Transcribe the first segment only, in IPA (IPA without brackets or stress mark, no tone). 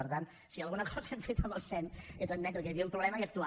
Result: ə